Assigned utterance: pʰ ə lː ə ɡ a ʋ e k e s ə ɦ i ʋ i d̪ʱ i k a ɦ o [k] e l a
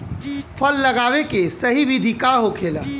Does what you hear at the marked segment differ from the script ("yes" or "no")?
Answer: yes